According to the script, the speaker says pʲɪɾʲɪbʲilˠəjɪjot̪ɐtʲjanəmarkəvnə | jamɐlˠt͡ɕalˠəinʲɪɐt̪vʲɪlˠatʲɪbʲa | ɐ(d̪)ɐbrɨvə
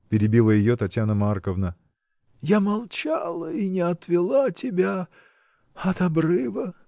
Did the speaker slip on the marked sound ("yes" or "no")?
yes